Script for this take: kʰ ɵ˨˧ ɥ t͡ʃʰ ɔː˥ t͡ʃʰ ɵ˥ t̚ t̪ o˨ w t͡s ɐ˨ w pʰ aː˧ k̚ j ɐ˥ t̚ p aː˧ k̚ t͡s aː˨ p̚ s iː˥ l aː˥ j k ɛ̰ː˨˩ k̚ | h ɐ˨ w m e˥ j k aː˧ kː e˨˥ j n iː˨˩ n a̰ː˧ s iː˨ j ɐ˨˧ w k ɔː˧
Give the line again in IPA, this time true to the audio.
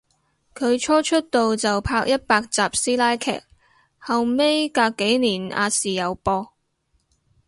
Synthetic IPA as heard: kʰ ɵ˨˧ ɥ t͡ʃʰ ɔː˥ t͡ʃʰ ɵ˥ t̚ t̪ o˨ w t͡s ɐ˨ w pʰ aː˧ k̚ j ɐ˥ t̚ p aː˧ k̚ t͡s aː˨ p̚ s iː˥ l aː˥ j kʰ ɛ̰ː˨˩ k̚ | h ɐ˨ w m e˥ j k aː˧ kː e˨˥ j n iː˨˩ n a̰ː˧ s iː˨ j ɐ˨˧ w p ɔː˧